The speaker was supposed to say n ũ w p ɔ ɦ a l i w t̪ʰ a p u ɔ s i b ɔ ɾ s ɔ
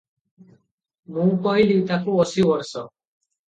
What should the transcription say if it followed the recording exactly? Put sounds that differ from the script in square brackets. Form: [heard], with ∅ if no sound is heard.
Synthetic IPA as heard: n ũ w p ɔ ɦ [i] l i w [t̪] a [k] u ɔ s i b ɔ ɾ s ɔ